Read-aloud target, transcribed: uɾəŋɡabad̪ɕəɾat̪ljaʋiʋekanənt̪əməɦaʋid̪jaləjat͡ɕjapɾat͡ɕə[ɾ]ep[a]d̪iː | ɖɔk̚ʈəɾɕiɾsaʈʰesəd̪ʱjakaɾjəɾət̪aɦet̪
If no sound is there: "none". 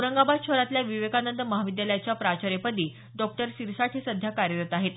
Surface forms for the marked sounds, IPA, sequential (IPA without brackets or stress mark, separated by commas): ɾ, ə